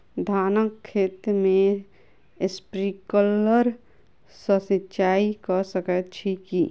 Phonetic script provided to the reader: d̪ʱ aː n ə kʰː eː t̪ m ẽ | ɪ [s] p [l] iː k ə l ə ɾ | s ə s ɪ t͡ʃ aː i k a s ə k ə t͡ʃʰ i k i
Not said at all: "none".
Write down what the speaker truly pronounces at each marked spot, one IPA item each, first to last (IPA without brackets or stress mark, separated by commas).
s, ɾ